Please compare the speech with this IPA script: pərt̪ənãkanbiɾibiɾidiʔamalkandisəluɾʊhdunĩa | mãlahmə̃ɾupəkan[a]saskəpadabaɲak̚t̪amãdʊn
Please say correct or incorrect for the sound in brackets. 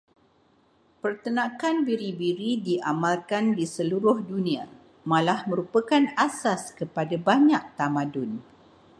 correct